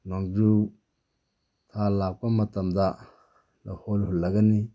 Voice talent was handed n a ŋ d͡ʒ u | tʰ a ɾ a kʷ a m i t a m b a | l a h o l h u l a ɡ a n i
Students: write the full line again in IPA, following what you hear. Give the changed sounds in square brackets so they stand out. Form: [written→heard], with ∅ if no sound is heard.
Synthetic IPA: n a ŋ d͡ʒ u | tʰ a [ɾ→l] a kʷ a m [i→a] t a m [b→d] a | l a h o l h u l a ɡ a n i